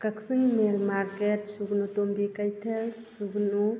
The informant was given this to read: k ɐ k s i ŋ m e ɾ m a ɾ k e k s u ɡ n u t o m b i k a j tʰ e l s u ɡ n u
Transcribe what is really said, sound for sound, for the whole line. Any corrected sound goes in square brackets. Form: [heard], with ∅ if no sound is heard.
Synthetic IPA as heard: k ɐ k s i ŋ m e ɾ m a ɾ k e [t] s u ɡ n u t o m b i k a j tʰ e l s u ɡ n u